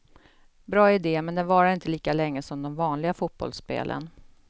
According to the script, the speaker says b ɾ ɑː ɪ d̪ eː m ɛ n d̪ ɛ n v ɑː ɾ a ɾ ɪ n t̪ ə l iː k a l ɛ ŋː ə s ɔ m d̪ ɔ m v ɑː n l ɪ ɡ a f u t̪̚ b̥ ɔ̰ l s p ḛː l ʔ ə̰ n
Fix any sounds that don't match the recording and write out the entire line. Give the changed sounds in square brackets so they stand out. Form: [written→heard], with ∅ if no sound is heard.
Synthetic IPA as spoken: b ɾ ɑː ɪ d̪ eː m ɛ n d̪ ɛ n v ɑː ɾ a ɾ ɪ n t̪ ə l iː k a l ɛ ŋː ə s ɔ m d̪ ɔ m v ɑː n l ɪ ɡ a f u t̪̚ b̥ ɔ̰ l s p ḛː l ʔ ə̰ n